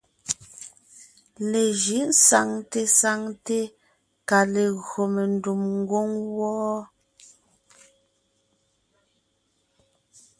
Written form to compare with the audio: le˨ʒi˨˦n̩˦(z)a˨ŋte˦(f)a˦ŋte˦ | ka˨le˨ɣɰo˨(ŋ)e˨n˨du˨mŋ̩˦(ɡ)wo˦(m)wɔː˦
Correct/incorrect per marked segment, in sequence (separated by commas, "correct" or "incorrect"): incorrect, incorrect, incorrect, correct, incorrect